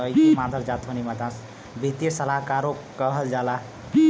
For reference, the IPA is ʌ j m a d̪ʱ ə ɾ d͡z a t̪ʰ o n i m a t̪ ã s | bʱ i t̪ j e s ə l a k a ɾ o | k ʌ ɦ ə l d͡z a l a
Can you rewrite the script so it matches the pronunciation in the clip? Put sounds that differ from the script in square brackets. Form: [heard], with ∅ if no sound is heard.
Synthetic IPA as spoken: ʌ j m a d̪ʱ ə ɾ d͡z a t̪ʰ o n i m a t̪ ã s | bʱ i t̪ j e s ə l a k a ɾ o | k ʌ ɦ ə l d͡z a l a

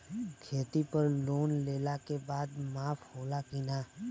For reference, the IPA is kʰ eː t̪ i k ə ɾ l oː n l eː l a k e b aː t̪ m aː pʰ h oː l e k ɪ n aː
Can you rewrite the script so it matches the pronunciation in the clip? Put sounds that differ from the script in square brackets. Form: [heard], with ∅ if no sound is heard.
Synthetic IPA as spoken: kʰ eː t̪ i [p] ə ɾ l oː n l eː l a k e b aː [d̪] m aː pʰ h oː l [a] k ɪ n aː

